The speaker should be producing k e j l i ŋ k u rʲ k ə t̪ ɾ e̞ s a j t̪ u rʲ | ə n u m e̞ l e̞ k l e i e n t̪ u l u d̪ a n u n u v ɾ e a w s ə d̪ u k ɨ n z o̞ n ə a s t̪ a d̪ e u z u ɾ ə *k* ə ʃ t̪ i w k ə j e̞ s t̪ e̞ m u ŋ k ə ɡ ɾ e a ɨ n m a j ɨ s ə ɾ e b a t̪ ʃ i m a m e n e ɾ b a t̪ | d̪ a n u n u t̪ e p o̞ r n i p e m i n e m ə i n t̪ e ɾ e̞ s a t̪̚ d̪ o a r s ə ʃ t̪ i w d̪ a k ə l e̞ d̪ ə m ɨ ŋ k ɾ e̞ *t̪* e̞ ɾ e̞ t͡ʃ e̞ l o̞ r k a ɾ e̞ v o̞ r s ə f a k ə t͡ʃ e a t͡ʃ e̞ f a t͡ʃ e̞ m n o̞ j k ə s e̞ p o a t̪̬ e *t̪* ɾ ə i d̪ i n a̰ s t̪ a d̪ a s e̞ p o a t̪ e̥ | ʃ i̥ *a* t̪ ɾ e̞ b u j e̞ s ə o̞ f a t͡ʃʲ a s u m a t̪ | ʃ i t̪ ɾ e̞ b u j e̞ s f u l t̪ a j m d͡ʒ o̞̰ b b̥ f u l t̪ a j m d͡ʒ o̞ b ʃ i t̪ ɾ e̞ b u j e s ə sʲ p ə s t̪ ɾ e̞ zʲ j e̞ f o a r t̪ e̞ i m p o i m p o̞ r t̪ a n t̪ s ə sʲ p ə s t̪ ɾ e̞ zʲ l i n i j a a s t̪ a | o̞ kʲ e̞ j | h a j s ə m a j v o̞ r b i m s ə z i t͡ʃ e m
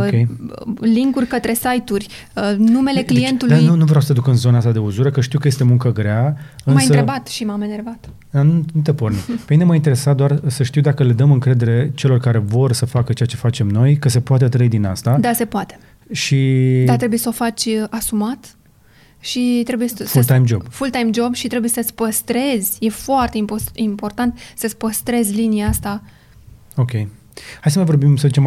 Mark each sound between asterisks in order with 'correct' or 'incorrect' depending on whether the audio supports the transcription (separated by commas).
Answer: correct, incorrect, correct, correct